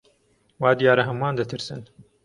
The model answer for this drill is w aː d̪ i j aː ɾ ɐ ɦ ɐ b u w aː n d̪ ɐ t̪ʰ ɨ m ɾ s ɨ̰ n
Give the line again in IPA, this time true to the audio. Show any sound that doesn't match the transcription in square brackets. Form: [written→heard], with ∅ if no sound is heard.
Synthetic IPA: w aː d̪ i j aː ɾ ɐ ɦ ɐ [b→m] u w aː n d̪ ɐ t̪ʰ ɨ [m→∅] ɾ s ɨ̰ n